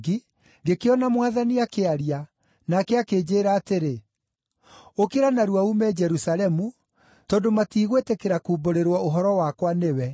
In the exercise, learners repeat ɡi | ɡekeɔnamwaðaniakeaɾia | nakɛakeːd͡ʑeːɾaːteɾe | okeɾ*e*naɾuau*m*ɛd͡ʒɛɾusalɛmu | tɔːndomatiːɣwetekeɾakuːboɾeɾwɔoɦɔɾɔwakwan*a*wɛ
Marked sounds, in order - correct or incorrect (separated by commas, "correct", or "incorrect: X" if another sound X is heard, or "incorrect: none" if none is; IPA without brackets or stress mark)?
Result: incorrect: a, correct, incorrect: e